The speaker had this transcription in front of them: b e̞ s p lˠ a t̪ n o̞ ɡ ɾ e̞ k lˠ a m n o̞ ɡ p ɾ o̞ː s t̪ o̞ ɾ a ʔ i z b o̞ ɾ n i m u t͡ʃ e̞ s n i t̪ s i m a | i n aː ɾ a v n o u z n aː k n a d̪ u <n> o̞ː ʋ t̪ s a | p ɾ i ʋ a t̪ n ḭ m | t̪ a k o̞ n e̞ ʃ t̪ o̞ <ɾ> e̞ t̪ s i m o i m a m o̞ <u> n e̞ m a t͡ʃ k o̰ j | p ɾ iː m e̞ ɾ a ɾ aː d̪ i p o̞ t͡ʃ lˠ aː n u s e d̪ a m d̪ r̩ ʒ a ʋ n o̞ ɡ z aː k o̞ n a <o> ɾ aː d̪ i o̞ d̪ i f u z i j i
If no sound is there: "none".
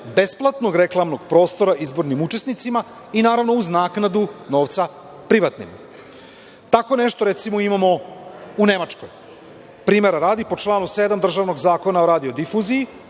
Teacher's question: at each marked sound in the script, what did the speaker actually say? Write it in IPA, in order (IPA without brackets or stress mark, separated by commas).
n, ɾ, u, o